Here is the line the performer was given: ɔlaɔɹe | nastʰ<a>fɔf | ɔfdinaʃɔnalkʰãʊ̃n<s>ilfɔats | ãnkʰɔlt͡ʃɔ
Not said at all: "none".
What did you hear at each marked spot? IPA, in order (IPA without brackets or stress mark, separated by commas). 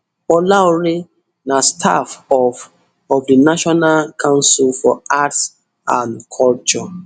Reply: a, s